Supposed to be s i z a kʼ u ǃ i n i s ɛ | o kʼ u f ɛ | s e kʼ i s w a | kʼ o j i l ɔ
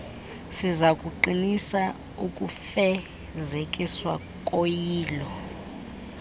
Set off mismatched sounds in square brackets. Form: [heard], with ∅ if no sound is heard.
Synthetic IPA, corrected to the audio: s i z a kʼ u ǃ i n i s [a] | [u] kʼ u f ɛ | [z] e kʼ i s w a | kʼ o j [iː] l ɔ